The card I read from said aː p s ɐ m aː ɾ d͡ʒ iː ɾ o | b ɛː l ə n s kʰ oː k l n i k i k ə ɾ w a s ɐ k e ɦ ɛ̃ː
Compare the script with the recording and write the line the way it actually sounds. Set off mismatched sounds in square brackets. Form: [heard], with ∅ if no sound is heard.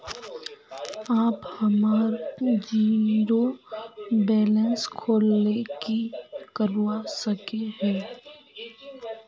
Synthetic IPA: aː p [h] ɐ m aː ɾ d͡ʒ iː ɾ o | b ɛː l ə n s kʰ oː [∅] l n [e] k i k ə ɾ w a s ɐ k e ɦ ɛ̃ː